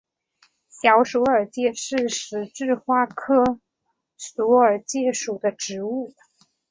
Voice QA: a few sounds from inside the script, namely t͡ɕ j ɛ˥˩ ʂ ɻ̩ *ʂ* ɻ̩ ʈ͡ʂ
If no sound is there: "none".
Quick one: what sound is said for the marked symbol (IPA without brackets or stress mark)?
ʂ